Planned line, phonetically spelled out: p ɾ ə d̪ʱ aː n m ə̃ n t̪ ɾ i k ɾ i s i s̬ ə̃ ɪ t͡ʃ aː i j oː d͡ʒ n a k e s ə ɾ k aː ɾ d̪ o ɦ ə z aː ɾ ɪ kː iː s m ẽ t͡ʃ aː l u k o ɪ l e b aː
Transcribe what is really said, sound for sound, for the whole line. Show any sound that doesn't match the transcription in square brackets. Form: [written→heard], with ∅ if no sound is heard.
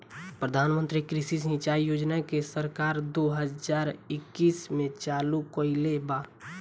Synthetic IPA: p ɾ ə d̪ʱ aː n m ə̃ n t̪ ɾ i k ɾ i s i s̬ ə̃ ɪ t͡ʃ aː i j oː d͡ʒ n a k e s ə ɾ k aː ɾ d̪ o ɦ ə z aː ɾ ɪ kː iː s m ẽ t͡ʃ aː l u k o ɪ l e b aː

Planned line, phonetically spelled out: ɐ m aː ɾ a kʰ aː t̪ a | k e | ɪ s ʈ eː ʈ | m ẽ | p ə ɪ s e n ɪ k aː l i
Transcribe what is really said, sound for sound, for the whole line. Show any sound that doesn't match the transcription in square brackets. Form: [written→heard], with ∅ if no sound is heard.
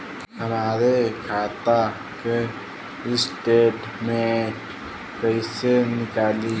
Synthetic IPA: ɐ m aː ɾ [a→e] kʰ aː t̪ a | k e | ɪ s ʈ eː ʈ | m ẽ | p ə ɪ s e n ɪ k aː l i

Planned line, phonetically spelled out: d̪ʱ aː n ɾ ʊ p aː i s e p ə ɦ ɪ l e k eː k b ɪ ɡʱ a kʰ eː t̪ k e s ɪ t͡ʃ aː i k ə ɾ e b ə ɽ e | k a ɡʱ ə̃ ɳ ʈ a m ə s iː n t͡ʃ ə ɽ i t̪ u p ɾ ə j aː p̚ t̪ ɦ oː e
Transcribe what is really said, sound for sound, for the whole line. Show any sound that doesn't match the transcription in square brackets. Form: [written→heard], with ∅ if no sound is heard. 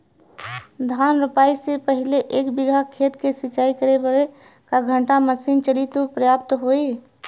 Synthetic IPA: d̪ʱ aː n ɾ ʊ p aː i s e p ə ɦ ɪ l e [k→ʔ] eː k b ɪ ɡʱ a kʰ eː t̪ k e s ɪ t͡ʃ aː i k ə ɾ e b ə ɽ e | k a ɡʱ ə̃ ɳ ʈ a m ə s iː n t͡ʃ ə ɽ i t̪ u p ɾ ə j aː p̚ t̪ ɦ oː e

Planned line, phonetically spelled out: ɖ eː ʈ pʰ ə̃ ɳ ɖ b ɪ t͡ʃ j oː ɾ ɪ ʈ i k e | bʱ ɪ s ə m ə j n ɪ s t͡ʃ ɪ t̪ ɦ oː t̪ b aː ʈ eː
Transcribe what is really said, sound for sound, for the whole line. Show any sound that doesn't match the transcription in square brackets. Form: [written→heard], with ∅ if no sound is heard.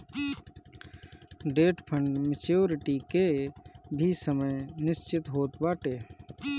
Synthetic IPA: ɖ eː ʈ pʰ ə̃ ɳ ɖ [b→m] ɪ t͡ʃ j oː ɾ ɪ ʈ i k e | bʱ [ɪ→i] s ə m ə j n ɪ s t͡ʃ ɪ t̪ ɦ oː t̪ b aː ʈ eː

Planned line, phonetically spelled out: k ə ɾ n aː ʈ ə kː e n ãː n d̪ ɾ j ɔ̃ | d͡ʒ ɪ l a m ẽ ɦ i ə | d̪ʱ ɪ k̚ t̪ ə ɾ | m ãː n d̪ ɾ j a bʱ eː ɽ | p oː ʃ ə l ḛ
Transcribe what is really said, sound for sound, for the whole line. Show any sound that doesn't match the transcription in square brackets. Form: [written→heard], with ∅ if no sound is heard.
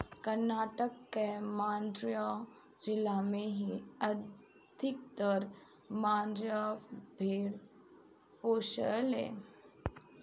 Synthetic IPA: k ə ɾ n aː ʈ ə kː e [n→m] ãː n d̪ ɾ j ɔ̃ | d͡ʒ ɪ l a m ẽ ɦ i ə | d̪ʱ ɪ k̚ t̪ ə ɾ | m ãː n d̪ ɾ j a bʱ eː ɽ | p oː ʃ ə l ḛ

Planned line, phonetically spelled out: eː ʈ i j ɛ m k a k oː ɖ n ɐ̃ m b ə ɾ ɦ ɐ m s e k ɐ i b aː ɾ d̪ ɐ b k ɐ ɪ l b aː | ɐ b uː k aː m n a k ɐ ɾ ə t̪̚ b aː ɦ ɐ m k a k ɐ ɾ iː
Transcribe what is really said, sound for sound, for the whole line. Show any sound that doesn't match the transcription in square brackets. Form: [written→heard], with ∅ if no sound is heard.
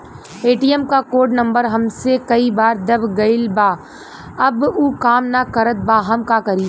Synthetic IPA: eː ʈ i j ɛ m k a k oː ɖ n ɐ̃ m b ə ɾ ɦ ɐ m s e k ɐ i b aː ɾ d̪ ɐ b [k→ɡ] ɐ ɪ l b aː | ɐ b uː k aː m n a k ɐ ɾ ə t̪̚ b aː ɦ ɐ m k a k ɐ ɾ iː

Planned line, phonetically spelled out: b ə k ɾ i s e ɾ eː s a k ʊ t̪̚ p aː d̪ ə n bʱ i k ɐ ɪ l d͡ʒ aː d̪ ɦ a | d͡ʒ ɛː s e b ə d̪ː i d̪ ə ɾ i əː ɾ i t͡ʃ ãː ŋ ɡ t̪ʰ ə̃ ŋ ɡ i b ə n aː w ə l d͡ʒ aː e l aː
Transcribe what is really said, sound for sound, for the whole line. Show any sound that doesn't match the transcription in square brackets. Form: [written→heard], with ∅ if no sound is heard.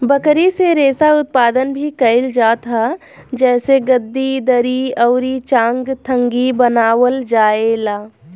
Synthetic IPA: b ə k ɾ i s e ɾ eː s a [k→∅] ʊ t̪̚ p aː d̪ ə n bʱ i k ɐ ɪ l d͡ʒ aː [d̪→t̪] ɦ a | d͡ʒ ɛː s e [b→ɡ] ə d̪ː i d̪ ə ɾ i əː ɾ i t͡ʃ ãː ŋ ɡ t̪ʰ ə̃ ŋ ɡ i b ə n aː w ə l d͡ʒ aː e l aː

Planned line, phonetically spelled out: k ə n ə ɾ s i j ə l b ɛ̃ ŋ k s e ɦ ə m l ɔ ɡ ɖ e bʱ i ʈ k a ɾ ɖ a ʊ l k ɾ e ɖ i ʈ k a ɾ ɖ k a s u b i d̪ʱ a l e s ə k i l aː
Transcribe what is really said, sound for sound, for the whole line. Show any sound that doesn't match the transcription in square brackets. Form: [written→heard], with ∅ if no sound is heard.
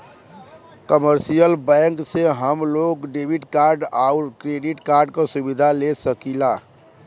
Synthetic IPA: k ə [n→m] ə ɾ s i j ə l b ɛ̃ ŋ k s e ɦ ə m l [ɔ→o] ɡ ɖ e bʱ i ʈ k a ɾ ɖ a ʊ [l→ɾ] k ɾ e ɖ i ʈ k a ɾ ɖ k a s u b i d̪ʱ a l e s ə k i l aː

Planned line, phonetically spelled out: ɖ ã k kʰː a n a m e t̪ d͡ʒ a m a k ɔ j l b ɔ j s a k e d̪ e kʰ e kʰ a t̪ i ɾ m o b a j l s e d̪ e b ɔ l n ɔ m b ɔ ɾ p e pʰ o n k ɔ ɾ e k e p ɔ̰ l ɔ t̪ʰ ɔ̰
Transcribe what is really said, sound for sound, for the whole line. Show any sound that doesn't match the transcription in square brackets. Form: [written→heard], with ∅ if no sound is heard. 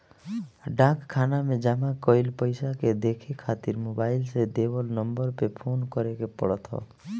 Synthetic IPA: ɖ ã k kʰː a n a m e [t̪→∅] d͡ʒ a m a k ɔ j l [b→p] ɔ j s a k e d̪ e kʰ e kʰ a t̪ i ɾ m o b a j l s e d̪ e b ɔ l n ɔ m b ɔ ɾ p e pʰ o n k ɔ ɾ e k e p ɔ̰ [l→ɽ] ɔ t̪ʰ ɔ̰

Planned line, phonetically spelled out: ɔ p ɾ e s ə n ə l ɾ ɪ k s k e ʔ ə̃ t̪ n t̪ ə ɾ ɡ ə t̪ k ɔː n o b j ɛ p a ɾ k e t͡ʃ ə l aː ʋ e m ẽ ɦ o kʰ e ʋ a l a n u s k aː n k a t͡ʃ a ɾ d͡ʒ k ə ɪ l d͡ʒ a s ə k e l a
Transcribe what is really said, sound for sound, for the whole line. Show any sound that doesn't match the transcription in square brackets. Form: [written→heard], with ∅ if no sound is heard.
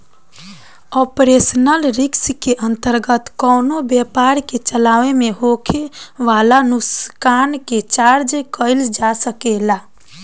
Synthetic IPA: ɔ p ɾ e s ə n ə l ɾ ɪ k s k e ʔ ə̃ [t̪→∅] n t̪ ə ɾ ɡ ə t̪ k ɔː n o b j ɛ p a ɾ k e t͡ʃ ə l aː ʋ e m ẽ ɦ o kʰ e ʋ a l a n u s k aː n k [a→e] t͡ʃ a ɾ d͡ʒ k ə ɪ l d͡ʒ a s ə k e l a

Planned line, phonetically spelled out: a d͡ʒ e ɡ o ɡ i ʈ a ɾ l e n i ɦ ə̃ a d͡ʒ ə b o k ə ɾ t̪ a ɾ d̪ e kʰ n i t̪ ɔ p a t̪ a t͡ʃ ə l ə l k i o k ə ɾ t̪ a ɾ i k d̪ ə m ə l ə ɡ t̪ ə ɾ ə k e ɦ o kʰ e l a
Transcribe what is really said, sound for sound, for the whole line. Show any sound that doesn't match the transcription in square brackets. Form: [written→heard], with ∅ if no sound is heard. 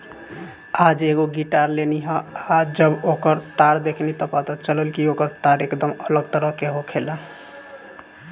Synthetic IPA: a d͡ʒ e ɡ o ɡ i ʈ a ɾ l e n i ɦ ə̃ a d͡ʒ ə b o k ə ɾ t̪ a ɾ d̪ e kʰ n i t̪ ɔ p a t̪ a t͡ʃ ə l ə l k i o k ə ɾ t̪ a ɾ [i→e] k d̪ ə m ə l ə ɡ t̪ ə ɾ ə k e ɦ o kʰ e l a

